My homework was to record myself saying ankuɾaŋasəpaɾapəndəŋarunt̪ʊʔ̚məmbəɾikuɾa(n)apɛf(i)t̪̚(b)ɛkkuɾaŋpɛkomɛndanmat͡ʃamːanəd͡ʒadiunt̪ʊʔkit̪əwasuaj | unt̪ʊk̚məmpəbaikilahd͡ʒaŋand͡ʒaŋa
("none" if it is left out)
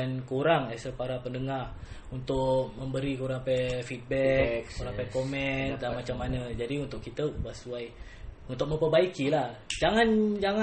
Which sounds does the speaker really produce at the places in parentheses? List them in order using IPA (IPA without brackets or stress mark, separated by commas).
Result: ŋ, i, b